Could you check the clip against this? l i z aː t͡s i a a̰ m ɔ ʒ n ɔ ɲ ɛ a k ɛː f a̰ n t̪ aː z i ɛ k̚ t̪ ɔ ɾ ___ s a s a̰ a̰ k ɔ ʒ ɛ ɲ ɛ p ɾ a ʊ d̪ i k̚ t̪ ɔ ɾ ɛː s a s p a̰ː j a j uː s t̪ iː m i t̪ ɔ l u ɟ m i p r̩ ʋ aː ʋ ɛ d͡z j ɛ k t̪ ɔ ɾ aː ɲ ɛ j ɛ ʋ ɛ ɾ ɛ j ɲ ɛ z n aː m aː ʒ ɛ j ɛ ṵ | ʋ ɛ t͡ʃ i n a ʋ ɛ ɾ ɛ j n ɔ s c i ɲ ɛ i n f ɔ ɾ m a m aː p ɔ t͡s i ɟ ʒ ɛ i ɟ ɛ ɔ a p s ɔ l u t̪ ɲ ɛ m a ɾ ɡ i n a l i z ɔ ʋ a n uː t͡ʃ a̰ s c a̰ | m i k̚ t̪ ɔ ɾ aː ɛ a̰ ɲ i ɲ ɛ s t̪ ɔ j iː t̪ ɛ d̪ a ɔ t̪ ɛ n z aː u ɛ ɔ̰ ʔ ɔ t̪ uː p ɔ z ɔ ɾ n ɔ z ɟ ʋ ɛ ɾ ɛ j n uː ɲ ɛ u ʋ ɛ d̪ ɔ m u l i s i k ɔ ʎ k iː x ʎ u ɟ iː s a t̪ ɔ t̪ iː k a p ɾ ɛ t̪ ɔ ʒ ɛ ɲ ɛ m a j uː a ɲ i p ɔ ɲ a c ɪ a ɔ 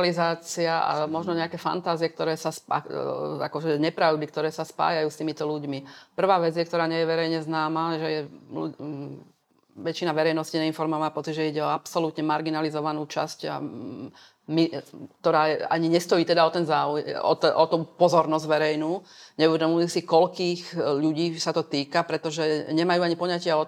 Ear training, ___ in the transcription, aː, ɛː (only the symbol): ɛː